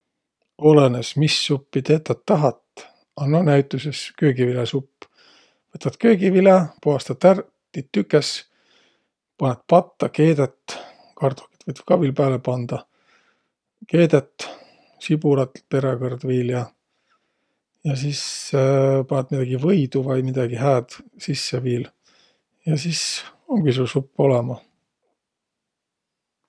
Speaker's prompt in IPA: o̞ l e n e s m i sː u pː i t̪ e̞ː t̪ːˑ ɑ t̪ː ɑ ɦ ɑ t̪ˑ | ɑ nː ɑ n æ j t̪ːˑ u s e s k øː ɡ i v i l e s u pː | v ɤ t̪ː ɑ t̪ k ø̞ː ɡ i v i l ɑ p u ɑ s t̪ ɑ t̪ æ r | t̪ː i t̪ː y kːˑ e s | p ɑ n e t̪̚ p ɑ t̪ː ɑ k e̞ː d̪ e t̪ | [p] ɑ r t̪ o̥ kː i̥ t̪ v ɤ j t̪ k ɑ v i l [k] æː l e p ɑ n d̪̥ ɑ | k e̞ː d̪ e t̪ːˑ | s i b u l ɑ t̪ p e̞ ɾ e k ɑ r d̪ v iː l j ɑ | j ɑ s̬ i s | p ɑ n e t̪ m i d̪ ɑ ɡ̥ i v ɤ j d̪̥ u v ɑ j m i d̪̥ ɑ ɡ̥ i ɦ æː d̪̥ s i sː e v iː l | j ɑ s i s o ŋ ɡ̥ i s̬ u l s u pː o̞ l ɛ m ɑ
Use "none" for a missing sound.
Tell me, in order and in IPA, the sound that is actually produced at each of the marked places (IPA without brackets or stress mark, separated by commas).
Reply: k, p